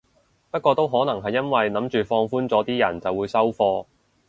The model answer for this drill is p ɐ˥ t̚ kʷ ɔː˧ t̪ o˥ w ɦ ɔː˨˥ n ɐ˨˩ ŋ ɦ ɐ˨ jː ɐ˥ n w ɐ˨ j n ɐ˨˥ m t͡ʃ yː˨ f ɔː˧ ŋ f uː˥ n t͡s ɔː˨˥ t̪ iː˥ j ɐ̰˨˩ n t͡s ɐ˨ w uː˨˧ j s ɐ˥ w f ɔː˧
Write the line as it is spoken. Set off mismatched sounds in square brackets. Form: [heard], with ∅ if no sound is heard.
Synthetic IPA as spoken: p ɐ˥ t̚ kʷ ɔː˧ t̪ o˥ w ɦ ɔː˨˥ n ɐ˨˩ ŋ ɦ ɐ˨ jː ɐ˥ n w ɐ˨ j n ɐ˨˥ m t͡ʃ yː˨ f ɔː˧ ŋ f uː˥ n t͡s ɔː˨˥ t̪ iː˥ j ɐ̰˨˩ n t͡s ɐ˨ w uː˨˧ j s ɐ˥ w f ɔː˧